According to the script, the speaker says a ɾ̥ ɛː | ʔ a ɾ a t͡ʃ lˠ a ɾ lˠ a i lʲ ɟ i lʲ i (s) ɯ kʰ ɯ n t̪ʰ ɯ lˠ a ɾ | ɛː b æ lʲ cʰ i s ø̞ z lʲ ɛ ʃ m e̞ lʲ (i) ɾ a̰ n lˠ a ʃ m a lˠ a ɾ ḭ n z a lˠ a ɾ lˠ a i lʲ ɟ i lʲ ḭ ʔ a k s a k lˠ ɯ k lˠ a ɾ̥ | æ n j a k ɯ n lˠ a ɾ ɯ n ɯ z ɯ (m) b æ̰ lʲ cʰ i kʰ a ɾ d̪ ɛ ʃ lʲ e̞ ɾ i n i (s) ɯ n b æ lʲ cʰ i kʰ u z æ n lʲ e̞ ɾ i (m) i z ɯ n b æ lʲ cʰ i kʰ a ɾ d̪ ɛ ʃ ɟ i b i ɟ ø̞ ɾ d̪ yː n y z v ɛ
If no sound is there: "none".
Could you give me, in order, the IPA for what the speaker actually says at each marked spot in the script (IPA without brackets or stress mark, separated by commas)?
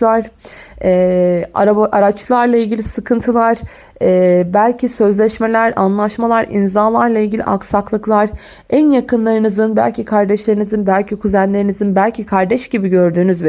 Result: s, æ, n, z, n